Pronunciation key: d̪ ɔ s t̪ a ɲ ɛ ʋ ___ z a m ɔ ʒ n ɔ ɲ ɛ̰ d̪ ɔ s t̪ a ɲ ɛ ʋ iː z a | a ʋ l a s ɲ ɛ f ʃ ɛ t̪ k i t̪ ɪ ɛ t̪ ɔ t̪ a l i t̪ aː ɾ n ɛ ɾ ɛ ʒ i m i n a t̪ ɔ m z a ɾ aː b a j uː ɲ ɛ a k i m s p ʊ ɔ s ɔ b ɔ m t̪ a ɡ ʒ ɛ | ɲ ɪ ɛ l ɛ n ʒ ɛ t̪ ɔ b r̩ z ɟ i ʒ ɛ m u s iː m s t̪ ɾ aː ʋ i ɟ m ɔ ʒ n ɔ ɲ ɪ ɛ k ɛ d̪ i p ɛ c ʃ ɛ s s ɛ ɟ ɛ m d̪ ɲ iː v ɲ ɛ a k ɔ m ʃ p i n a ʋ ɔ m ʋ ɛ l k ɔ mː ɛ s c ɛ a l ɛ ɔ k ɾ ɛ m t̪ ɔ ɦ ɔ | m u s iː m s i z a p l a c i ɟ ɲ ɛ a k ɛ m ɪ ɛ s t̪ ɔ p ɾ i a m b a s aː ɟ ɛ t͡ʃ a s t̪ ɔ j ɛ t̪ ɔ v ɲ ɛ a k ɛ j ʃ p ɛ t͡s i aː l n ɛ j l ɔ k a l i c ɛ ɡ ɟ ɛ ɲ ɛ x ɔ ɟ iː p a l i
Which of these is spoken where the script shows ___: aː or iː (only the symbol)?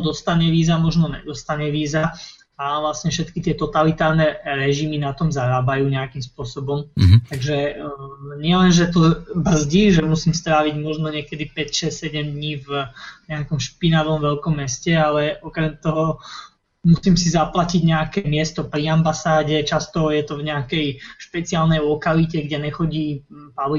iː